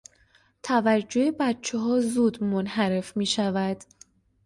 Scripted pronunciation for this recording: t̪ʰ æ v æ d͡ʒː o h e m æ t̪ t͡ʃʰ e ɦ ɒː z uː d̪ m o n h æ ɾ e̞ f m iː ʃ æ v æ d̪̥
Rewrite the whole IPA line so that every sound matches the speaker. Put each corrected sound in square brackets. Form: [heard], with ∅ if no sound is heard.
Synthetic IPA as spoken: t̪ʰ æ v æ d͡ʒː o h e [b] æ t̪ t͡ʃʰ e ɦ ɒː z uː d̪ m o n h æ ɾ e̞ f m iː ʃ æ v æ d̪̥